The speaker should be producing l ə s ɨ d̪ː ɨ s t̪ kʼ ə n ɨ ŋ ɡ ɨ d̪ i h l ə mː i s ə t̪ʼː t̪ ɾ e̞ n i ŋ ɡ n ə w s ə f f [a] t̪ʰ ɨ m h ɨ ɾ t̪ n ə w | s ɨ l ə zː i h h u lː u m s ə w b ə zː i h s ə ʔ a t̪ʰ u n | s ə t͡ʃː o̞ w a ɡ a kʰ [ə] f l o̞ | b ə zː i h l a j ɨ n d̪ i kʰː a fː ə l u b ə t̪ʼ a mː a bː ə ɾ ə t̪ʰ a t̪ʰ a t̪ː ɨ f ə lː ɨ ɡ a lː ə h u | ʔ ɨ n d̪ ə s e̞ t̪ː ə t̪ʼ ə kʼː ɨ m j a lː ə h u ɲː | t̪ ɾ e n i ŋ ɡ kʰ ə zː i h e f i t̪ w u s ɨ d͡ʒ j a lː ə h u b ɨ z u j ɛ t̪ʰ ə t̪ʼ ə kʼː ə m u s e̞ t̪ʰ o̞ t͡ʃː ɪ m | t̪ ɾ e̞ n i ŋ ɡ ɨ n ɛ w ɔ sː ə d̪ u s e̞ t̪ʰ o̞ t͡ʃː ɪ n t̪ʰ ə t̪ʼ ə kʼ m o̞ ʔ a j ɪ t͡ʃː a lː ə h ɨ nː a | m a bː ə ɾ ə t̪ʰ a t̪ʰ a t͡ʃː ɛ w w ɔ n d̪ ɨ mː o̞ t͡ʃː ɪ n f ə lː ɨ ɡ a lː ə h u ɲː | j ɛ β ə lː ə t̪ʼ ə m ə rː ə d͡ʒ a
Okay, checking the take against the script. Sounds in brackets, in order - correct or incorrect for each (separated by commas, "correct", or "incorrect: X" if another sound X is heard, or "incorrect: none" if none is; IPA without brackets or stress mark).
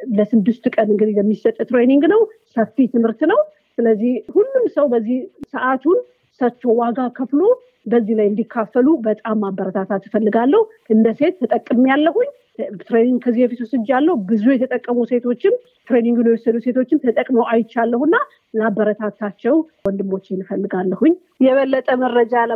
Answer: incorrect: i, correct